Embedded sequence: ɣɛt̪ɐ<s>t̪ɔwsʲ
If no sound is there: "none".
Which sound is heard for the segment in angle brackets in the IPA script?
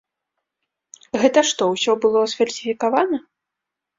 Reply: ʂ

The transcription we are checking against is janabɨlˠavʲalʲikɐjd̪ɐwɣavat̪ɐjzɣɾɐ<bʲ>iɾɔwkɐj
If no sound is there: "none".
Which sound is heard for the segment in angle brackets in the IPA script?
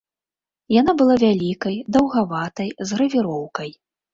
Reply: vʲ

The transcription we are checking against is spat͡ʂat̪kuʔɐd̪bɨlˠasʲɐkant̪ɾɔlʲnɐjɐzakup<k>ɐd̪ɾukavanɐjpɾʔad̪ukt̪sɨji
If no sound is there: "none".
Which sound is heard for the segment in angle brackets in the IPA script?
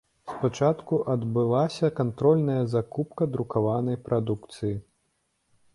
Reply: k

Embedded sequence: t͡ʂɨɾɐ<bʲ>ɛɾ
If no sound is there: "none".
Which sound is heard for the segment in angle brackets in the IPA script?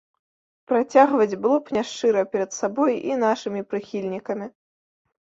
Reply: pʲ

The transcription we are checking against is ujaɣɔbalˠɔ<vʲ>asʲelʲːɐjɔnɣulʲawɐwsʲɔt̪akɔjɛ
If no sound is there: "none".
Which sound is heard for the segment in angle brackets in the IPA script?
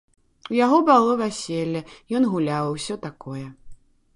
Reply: vʲ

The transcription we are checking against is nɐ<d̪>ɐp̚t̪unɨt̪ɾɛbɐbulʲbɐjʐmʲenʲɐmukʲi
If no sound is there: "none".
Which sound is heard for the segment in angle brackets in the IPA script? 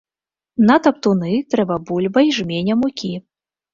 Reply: t̪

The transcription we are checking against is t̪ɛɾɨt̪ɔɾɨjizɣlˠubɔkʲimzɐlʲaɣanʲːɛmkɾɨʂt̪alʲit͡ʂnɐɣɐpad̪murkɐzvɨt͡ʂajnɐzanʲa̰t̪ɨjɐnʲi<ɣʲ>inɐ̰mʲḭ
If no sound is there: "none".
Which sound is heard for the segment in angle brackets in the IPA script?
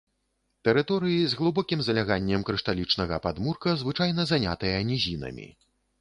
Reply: zʲ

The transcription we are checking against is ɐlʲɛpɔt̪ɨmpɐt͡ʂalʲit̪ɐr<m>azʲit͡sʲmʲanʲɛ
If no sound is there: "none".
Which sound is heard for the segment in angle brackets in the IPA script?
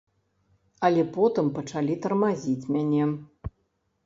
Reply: m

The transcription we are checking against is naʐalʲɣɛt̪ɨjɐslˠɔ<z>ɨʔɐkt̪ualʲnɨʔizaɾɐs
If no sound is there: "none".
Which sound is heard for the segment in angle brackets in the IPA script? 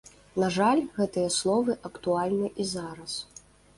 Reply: v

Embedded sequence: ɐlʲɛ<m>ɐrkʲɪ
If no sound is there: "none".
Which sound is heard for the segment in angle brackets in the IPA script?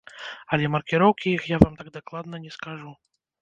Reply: m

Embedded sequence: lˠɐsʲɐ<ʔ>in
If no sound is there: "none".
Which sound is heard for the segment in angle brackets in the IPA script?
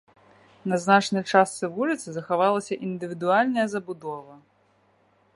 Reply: ʔ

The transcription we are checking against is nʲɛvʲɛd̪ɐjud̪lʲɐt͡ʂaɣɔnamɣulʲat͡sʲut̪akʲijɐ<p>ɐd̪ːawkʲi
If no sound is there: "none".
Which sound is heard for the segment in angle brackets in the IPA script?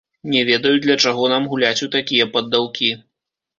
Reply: p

